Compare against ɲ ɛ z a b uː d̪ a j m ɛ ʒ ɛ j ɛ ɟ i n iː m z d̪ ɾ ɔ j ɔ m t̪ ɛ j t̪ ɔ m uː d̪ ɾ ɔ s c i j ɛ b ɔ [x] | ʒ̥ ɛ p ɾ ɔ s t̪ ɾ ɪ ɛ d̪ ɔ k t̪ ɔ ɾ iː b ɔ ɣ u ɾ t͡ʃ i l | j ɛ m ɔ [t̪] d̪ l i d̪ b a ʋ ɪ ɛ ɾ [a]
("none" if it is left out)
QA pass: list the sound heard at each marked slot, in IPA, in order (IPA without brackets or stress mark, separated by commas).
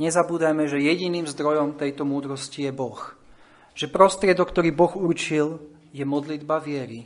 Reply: x, none, i